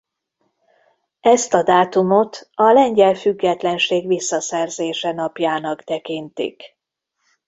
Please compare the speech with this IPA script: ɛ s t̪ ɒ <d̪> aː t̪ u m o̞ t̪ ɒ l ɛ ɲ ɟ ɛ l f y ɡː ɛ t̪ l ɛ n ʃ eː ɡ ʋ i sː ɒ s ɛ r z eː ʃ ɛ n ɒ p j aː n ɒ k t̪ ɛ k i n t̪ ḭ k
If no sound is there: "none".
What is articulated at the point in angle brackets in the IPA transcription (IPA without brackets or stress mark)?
d̪